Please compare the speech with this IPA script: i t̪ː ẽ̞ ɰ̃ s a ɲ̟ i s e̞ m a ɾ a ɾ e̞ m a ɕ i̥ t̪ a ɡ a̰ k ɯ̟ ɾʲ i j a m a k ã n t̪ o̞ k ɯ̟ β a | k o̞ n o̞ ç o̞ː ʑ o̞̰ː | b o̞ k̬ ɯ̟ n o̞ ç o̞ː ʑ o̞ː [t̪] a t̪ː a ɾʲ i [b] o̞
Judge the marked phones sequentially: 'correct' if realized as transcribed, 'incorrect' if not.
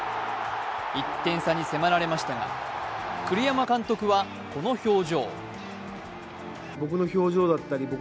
incorrect, correct

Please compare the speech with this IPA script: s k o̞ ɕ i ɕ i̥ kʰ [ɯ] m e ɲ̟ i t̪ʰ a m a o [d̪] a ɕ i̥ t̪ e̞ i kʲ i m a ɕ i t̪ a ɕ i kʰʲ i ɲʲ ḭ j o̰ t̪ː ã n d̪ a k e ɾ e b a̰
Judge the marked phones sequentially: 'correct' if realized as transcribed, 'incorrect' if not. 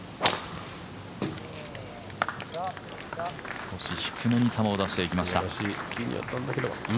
correct, correct

